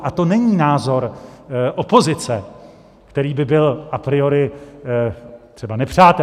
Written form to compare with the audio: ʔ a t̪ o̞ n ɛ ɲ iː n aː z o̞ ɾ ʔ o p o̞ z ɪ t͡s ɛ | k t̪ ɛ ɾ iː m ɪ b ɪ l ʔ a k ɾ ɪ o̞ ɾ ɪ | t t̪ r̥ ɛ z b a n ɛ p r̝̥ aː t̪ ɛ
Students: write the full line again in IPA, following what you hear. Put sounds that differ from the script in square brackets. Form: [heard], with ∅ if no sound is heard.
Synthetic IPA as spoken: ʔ a t̪ o̞ n ɛ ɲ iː n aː z o̞ ɾ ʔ o p o̞ z ɪ t͡s ɛ | k t̪ ɛ ɾ iː [b] ɪ b ɪ l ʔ a [p] ɾ ɪ o̞ ɾ ɪ | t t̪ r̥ ɛ [∅] b a n ɛ p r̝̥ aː t̪ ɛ